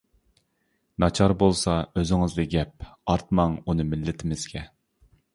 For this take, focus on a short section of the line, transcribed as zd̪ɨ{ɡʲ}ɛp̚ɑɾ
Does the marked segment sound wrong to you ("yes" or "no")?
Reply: no